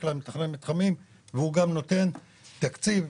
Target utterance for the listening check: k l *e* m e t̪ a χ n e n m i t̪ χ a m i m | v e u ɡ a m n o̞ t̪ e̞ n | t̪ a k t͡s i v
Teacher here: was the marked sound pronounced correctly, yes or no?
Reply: no